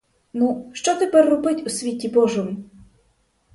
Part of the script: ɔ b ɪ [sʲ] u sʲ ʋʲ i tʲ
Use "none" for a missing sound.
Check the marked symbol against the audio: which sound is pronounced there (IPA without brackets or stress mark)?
tʲ